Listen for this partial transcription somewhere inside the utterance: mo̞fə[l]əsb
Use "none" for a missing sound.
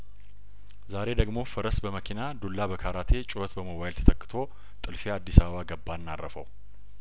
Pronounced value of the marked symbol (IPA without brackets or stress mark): ɾ